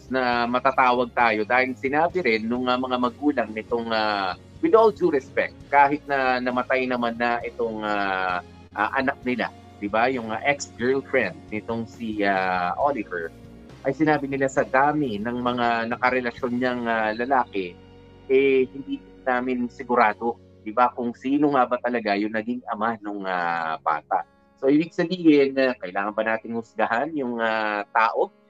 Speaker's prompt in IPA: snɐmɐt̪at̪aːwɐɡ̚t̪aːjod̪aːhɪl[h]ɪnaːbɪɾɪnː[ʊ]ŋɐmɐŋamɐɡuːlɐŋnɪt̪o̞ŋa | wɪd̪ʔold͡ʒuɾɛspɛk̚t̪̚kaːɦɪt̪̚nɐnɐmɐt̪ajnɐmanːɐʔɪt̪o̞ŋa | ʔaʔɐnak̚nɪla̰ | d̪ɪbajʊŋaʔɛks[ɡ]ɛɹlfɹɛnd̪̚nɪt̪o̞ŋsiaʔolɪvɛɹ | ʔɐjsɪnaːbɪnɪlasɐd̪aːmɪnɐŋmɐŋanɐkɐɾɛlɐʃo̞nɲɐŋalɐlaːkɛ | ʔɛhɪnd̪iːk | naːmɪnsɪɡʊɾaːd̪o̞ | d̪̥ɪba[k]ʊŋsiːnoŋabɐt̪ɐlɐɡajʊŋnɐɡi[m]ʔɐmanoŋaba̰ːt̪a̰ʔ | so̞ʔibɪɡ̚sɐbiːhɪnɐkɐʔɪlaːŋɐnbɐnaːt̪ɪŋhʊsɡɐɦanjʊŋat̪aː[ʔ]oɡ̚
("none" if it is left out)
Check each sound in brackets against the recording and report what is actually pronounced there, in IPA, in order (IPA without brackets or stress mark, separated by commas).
s, ʊ, ɡ, k, ŋ, ʔ